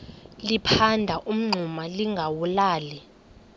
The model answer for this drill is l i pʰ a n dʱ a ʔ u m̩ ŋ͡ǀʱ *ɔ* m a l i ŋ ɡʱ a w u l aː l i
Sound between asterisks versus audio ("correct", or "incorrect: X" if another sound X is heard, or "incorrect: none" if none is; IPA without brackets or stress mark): incorrect: u